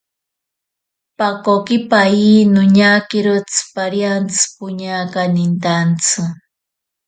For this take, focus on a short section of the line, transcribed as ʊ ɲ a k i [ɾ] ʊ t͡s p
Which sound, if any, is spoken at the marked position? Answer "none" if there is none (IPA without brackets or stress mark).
ɾ